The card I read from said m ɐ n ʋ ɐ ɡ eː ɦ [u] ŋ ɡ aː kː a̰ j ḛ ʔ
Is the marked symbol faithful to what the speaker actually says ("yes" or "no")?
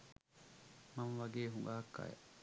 yes